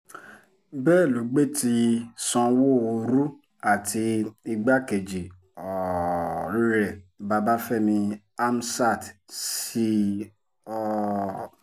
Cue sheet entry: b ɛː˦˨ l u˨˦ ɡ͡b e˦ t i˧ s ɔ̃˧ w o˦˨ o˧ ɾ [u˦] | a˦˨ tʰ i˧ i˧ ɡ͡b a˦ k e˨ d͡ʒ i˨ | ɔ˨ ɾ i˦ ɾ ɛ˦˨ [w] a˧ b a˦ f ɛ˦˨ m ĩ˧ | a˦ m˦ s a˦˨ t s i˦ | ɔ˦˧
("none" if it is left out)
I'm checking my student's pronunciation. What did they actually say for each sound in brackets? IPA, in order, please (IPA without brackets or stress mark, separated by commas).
u˦, b